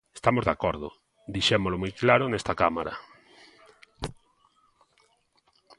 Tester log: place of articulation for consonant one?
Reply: alveolar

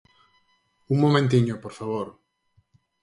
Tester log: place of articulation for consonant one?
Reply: velar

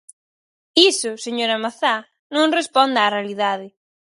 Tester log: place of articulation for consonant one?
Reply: alveolar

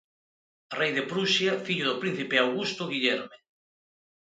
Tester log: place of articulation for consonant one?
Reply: alveolar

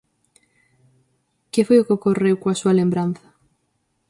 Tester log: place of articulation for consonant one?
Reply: velar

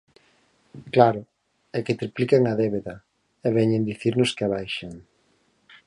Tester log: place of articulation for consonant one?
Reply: velar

